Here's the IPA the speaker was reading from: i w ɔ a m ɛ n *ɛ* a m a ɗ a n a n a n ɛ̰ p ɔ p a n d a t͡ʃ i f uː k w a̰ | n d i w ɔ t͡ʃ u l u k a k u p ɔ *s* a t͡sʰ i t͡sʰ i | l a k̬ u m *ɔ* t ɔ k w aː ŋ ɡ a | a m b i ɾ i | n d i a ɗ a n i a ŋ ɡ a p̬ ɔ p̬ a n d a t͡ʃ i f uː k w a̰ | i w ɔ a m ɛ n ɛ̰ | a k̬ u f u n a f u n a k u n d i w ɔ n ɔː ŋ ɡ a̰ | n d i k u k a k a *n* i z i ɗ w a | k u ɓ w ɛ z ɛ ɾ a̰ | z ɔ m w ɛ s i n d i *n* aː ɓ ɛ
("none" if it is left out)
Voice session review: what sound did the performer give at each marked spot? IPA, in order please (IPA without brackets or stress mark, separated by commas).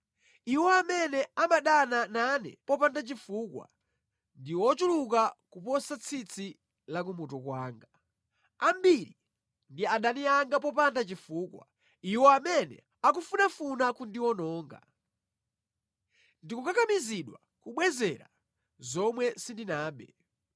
ɛ, s, u, m, n